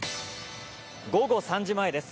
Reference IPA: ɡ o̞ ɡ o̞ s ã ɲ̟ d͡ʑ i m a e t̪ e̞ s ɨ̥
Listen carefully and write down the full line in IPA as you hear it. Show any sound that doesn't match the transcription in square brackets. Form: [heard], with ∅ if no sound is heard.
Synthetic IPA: ɡ o̞ ɡ o̞ s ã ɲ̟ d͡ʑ i m a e [d̪] e̞ s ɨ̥